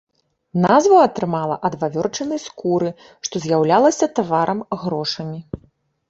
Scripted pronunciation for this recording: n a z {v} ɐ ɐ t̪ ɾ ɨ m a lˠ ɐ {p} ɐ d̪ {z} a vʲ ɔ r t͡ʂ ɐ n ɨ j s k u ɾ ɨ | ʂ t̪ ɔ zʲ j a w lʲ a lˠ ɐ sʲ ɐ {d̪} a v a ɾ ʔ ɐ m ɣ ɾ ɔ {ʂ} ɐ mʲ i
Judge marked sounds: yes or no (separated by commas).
yes, no, no, no, yes